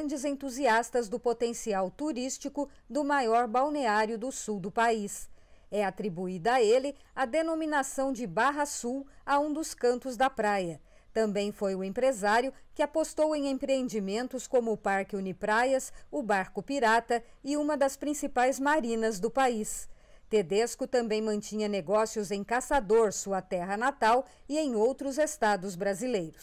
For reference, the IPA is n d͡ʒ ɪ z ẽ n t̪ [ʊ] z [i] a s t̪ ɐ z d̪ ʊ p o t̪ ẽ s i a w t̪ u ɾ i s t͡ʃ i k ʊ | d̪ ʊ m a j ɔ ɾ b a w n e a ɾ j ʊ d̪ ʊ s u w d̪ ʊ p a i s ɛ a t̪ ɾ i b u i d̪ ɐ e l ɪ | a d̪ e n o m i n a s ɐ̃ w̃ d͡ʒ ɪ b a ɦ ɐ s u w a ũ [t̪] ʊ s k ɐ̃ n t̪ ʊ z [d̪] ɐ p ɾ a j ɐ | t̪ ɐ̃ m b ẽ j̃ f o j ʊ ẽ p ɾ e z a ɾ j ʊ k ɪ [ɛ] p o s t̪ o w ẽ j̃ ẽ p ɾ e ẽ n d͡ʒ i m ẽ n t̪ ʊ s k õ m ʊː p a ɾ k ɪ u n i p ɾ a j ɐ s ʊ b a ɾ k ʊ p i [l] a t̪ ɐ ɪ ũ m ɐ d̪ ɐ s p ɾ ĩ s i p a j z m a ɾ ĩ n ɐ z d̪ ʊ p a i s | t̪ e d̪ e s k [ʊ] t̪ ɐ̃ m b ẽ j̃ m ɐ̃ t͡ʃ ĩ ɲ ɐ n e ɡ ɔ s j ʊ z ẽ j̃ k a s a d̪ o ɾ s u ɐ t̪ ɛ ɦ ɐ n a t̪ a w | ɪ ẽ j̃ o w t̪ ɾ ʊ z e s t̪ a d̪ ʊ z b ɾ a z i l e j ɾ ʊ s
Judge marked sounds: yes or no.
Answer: no, yes, no, yes, no, no, yes

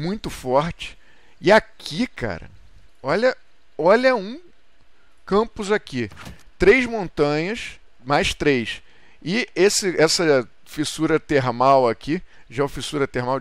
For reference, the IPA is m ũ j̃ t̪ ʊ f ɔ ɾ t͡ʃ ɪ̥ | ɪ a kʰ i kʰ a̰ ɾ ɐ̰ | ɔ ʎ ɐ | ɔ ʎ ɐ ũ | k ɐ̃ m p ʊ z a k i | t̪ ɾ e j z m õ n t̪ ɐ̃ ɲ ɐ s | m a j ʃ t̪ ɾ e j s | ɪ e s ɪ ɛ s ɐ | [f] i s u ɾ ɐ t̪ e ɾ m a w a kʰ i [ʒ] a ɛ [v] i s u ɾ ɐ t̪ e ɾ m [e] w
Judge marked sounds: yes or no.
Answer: yes, yes, no, no

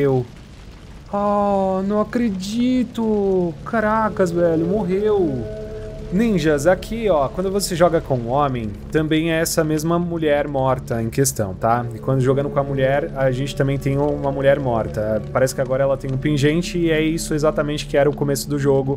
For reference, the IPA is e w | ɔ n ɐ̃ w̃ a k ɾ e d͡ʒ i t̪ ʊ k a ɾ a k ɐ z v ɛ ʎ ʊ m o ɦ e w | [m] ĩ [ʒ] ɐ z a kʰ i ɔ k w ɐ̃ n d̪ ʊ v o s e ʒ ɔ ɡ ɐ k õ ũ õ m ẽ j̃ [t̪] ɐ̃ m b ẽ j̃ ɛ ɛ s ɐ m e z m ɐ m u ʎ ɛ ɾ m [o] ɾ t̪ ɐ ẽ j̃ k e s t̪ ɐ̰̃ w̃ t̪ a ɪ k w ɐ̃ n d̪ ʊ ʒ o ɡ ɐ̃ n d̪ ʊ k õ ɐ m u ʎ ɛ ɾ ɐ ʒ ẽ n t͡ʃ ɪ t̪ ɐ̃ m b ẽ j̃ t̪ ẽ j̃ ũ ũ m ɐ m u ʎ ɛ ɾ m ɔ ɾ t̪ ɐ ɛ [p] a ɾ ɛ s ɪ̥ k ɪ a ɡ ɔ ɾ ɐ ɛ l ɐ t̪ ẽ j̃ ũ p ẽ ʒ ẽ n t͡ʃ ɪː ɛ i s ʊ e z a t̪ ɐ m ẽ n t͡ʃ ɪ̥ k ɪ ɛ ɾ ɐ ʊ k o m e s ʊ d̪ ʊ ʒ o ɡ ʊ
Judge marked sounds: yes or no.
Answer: no, yes, yes, no, yes

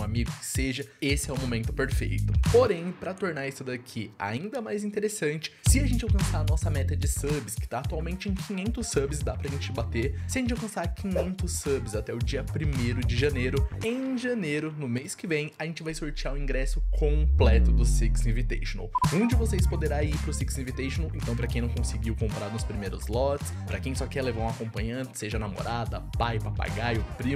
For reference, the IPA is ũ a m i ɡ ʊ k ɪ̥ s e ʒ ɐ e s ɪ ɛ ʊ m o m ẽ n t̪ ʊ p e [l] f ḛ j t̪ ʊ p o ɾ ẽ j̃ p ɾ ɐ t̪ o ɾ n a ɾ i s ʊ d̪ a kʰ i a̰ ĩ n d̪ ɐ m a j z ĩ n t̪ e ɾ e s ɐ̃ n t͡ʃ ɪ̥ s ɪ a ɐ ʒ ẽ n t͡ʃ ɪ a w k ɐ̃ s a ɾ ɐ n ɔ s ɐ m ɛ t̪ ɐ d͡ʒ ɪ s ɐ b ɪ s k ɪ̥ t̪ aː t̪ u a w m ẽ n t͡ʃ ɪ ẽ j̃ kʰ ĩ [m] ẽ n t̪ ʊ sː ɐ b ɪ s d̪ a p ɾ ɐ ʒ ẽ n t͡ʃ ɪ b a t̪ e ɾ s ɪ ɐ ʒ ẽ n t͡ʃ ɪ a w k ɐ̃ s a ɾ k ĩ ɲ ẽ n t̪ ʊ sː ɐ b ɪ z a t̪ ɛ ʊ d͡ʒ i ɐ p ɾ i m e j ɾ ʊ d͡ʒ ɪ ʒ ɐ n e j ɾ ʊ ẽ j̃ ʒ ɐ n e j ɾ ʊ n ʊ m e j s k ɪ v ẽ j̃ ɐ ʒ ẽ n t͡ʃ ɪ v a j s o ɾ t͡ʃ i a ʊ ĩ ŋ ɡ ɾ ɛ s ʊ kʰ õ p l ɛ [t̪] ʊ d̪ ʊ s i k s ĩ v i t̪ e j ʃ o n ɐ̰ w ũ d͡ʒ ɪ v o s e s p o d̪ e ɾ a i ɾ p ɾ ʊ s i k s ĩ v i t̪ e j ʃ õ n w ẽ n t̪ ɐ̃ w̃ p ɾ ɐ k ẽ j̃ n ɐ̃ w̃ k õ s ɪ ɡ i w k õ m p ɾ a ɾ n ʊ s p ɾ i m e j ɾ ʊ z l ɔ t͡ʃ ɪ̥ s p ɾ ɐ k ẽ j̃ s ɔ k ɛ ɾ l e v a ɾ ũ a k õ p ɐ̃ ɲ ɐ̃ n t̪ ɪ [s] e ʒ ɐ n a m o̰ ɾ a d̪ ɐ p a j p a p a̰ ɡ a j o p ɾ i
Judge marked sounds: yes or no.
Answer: no, no, yes, yes

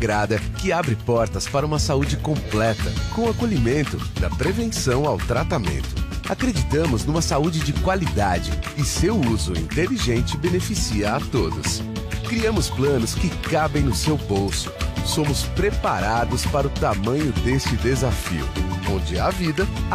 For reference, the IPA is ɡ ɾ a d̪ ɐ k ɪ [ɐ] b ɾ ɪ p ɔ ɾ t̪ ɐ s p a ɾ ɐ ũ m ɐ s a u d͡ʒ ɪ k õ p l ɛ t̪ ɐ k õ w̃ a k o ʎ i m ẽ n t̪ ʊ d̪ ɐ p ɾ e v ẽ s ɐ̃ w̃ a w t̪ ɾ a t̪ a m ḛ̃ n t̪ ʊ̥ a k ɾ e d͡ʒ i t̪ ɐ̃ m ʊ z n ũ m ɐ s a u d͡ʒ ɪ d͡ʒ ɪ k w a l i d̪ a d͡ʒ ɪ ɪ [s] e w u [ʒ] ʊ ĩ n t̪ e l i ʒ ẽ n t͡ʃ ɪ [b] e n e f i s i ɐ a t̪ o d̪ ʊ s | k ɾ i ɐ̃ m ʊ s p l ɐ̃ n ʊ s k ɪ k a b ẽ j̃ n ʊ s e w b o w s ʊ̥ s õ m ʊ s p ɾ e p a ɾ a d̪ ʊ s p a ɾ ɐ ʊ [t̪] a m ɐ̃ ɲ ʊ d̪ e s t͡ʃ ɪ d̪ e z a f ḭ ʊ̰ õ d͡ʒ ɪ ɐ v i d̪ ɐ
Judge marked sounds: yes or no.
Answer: no, yes, no, yes, yes

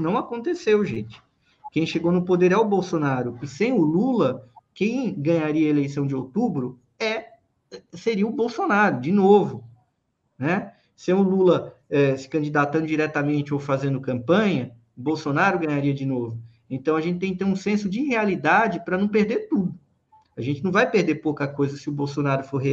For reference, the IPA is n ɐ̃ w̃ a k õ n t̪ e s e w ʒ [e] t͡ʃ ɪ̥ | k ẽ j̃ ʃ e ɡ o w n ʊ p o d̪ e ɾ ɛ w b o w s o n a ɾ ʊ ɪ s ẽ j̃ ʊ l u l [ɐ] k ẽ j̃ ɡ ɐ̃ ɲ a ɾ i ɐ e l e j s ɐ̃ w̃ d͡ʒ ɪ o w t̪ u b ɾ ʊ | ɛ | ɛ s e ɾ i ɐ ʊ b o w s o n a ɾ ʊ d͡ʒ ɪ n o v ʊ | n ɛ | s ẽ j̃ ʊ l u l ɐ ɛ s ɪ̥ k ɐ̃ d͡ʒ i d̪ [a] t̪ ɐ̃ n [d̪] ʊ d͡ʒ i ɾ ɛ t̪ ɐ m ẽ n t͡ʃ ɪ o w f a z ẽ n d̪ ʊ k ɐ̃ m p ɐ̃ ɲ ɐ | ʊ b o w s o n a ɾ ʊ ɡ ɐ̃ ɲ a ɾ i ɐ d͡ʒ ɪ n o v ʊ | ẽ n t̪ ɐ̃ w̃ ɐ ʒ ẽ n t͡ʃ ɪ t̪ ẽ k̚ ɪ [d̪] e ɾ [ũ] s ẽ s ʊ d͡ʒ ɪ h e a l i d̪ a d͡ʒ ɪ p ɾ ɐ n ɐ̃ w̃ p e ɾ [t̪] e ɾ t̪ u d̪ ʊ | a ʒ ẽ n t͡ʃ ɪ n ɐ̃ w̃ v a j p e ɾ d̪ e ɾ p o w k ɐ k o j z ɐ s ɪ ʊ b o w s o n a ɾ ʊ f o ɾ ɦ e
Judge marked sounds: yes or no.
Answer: no, yes, yes, yes, no, yes, no

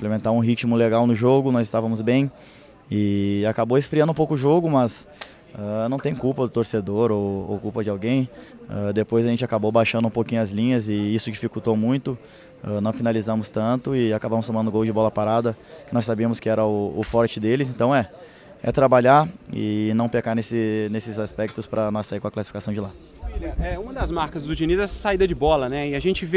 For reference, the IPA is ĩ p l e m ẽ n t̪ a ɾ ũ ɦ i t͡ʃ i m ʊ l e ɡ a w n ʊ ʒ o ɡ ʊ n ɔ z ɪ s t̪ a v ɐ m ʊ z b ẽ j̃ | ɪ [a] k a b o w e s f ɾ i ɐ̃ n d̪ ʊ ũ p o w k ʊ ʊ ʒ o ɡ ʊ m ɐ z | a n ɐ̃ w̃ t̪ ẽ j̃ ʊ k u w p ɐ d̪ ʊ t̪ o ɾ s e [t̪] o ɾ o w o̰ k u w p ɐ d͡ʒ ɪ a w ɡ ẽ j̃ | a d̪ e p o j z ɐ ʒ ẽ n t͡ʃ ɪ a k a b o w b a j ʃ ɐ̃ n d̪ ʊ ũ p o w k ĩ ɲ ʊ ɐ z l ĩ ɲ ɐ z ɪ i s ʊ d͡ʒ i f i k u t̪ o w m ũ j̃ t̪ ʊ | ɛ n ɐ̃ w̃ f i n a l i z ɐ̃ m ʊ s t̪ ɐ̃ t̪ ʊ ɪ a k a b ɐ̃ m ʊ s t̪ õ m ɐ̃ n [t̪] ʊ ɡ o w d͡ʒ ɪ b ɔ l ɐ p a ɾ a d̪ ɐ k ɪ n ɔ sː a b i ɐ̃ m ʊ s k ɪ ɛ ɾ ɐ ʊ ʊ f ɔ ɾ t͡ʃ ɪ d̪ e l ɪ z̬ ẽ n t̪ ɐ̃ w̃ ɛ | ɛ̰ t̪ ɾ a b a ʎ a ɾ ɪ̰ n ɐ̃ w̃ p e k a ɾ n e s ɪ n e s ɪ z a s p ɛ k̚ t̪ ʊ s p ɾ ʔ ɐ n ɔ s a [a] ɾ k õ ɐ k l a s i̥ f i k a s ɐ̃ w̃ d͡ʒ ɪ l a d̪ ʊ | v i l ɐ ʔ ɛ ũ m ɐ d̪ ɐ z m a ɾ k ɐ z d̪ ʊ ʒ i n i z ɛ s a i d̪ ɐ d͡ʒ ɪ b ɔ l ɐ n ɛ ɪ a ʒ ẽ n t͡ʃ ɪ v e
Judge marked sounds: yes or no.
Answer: yes, no, no, no

